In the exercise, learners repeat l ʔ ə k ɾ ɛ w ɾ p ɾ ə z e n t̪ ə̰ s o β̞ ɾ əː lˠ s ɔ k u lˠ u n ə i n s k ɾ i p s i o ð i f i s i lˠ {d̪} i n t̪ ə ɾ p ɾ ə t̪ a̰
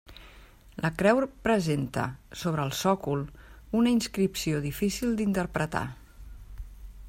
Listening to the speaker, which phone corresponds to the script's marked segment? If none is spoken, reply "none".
d̪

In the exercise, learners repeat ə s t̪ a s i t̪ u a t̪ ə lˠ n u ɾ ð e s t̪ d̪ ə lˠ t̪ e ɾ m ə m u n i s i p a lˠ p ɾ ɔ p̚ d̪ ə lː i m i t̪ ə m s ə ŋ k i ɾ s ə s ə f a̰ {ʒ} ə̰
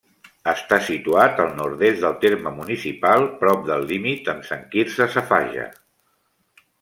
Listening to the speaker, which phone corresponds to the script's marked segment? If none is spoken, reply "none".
ʒ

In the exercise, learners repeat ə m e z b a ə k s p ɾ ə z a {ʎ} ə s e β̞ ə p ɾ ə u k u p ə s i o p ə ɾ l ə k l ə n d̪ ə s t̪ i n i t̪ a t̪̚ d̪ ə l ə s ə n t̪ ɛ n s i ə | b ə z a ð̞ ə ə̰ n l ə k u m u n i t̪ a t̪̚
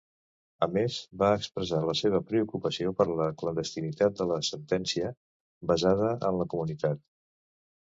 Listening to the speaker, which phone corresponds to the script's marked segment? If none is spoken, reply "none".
l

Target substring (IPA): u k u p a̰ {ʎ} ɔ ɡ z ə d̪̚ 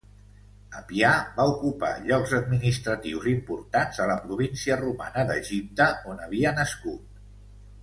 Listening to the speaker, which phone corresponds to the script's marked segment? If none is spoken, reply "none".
ʎ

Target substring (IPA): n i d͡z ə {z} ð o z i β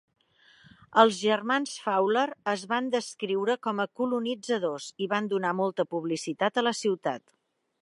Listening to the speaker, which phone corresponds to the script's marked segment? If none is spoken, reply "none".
none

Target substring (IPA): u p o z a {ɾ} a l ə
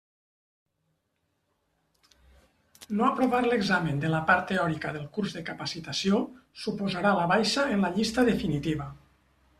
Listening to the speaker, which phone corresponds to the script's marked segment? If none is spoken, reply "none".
ɾ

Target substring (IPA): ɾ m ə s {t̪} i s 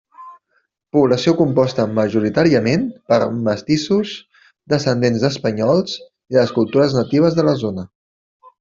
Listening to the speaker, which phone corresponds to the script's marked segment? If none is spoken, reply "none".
t̪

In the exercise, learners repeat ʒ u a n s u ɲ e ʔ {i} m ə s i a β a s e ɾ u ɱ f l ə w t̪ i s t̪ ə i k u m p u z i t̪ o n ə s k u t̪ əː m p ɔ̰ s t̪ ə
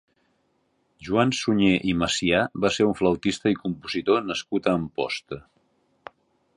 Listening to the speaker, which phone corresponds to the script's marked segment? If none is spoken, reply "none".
i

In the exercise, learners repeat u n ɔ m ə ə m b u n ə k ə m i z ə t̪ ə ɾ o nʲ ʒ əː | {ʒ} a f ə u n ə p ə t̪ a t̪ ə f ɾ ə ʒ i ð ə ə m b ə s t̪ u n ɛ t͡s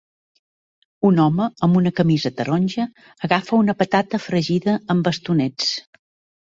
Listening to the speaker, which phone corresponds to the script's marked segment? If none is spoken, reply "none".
ɣ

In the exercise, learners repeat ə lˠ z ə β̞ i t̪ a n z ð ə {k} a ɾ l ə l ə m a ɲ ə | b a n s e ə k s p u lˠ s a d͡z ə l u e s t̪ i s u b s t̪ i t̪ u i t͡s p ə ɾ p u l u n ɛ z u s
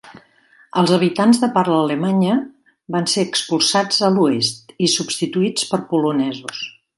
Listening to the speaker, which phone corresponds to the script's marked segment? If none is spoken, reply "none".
p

